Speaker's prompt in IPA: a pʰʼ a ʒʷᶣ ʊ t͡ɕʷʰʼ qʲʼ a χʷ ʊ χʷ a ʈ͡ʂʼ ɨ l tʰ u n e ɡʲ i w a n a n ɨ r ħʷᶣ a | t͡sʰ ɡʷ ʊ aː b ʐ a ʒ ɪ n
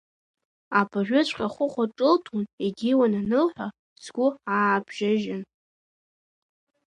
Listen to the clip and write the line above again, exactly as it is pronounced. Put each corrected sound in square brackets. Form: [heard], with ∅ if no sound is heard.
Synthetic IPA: a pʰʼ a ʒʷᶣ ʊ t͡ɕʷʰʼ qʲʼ a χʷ ʊ χʷ a ʈ͡ʂʼ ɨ l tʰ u n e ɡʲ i w a n a n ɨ [l] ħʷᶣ a | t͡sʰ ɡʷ ʊ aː b [ʒ] a ʒ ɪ n